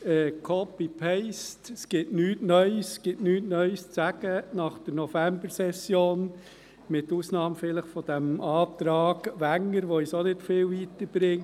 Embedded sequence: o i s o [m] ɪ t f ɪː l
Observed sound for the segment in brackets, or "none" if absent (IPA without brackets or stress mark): n